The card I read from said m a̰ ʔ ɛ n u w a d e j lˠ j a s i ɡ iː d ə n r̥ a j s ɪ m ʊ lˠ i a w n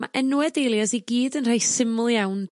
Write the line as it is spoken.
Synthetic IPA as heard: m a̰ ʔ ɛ n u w ɛ d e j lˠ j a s i ɡ iː d ə n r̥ a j s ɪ m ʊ lˠ j a w n